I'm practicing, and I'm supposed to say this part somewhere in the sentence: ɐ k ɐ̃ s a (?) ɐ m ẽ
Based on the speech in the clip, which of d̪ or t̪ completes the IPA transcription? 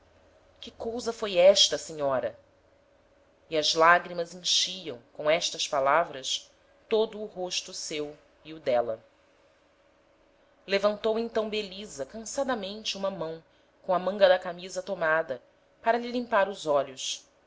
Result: d̪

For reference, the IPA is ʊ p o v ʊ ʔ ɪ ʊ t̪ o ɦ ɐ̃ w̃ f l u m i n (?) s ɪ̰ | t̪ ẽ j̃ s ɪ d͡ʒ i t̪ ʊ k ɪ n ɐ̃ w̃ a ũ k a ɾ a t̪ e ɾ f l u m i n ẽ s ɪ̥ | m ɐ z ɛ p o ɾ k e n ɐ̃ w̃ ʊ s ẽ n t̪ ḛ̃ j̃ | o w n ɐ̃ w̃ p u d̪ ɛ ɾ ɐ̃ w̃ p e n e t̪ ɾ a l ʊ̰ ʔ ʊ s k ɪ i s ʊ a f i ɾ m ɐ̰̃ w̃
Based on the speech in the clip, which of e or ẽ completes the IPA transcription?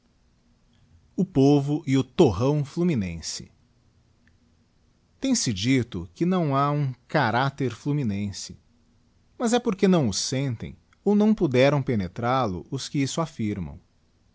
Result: ẽ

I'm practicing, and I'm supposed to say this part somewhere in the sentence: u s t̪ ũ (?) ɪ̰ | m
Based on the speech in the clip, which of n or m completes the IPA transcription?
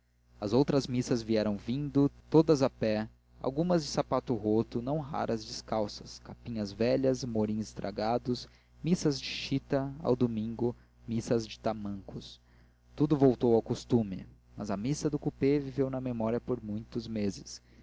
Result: m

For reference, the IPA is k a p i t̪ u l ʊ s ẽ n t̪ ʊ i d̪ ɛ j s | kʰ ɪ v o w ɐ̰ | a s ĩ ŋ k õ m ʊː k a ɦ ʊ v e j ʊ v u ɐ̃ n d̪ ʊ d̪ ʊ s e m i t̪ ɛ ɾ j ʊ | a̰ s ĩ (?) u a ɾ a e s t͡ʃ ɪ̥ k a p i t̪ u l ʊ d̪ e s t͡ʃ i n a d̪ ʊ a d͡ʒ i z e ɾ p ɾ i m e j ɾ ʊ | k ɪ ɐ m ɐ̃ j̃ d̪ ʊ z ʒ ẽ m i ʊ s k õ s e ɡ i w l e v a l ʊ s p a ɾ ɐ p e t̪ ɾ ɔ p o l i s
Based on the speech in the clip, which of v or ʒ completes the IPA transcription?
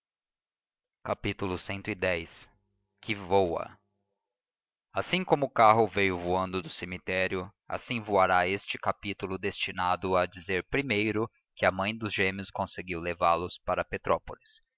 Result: v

